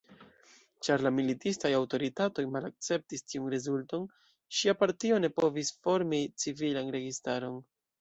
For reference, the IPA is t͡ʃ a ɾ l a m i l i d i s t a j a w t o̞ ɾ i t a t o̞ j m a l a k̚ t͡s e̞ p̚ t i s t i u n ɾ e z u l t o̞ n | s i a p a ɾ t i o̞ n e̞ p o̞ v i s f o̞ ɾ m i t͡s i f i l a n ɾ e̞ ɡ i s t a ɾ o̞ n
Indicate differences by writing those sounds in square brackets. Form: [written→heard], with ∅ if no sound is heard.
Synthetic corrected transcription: t͡ʃ a ɾ l a m i l i [d→t] i s t a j a w t o̞ ɾ i t a t o̞ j m a l a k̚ t͡s e̞ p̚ t i s t i u n ɾ e z u l t o̞ n | [s→ʃ] i a p a ɾ t i o̞ n e̞ p o̞ v i s f o̞ ɾ m i t͡s i [f→v] i l a n ɾ e̞ ɡ i s t a ɾ o̞ n